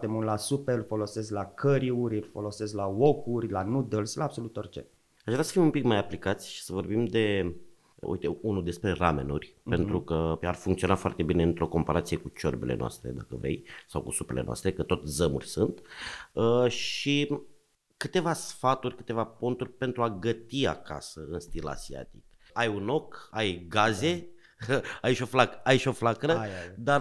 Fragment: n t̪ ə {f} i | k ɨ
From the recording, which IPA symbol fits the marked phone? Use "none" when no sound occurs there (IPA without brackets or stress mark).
ʃ